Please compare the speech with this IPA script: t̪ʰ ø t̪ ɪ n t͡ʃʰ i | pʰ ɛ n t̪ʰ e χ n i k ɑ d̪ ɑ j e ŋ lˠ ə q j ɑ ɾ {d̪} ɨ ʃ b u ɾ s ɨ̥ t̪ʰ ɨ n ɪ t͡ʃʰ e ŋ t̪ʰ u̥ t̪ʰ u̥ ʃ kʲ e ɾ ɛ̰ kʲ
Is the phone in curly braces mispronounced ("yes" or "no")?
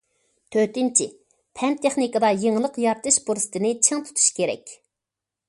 yes